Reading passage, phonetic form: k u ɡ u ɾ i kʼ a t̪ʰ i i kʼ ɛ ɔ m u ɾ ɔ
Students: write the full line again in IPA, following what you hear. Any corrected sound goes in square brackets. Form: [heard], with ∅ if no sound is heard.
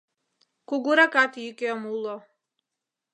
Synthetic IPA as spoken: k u ɡ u ɾ [a] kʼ a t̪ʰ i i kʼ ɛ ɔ m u [l] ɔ